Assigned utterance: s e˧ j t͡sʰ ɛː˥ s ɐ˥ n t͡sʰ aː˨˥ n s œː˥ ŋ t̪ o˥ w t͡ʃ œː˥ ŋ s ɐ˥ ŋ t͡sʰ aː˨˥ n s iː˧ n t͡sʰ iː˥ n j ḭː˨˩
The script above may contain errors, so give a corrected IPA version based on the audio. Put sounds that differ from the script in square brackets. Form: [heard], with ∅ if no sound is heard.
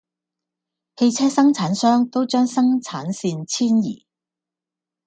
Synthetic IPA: [h] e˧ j t͡sʰ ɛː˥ s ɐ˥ [ŋ] t͡sʰ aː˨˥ n s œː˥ ŋ t̪ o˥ w t͡ʃ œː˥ ŋ s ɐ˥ ŋ t͡sʰ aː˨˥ n s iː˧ n t͡sʰ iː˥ n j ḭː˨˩